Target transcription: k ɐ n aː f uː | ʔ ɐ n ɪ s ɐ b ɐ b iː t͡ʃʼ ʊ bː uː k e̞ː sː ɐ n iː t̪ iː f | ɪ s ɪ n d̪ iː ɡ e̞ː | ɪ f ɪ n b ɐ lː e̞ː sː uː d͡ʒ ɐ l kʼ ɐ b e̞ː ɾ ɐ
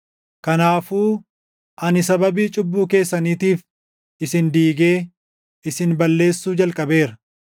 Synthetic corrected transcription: k ɐ n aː f uː | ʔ ɐ n ɪ s ɐ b ɐ b iː t͡ʃʼ ʊ bː uː k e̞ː sː ɐ n iː t̪ iː f | ɪ s ɪ n d̪ iː ɡ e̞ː | ɪ s ɪ n b ɐ lː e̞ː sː uː d͡ʒ ɐ l kʼ ɐ b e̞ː ɾ ɐ